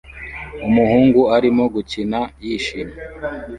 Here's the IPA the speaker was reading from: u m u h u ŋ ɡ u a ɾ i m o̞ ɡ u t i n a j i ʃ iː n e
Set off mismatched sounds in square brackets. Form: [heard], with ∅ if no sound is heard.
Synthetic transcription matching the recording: u m u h [uː] ŋ ɡ u a ɾ i m o̞ ɡ u [c] i n a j i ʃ [i] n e